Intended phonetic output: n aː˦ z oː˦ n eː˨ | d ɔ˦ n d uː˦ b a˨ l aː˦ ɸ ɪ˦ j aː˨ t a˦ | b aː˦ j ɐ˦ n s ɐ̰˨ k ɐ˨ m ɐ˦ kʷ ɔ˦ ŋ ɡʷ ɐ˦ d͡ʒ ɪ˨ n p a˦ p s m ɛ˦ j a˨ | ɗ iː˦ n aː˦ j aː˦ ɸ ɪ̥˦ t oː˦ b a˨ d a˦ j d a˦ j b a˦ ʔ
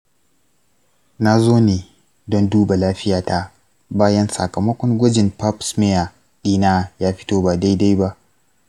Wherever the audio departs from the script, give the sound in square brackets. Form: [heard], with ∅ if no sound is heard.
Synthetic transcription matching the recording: n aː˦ z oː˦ n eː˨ | d ɔ˦ n d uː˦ b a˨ l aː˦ ɸ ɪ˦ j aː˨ t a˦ | b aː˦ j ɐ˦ n s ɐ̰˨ k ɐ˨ m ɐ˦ kʷ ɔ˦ ŋ ɡʷ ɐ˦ d͡ʒ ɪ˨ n p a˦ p s m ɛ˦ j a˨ | ɗ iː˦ n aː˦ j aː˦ ɸ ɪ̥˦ t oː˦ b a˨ d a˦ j d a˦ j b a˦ ʔ